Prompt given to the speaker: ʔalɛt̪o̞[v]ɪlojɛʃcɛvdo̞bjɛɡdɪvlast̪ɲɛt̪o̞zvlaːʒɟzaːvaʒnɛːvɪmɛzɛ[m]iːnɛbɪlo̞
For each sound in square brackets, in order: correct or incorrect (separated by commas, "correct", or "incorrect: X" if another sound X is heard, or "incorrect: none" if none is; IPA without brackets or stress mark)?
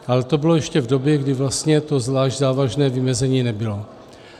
incorrect: b, incorrect: ɲ